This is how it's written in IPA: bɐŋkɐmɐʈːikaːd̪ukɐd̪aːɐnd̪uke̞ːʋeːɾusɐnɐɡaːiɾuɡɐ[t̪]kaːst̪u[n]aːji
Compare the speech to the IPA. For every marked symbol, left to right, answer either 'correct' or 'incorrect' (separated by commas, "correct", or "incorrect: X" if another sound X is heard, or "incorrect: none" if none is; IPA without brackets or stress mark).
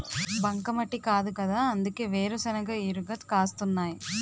correct, incorrect: nː